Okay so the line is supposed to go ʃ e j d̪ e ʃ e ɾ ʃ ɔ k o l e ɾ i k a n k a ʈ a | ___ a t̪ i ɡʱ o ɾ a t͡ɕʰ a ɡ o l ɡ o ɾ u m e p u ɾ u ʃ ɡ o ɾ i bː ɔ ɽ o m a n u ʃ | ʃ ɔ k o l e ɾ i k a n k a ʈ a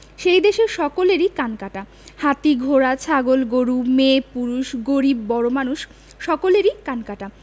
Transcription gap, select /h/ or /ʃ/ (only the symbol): h